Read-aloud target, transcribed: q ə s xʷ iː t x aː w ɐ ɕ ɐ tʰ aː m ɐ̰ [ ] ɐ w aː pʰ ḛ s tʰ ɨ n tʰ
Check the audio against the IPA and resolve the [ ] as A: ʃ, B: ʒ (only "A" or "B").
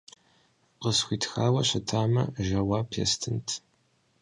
B